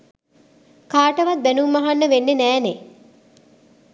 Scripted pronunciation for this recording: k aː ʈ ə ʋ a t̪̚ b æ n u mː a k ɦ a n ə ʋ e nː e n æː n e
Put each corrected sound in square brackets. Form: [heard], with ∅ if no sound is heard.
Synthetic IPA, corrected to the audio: k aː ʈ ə ʋ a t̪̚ b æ n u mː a [∅] ɦ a [nː] ə ʋ e nː e n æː n e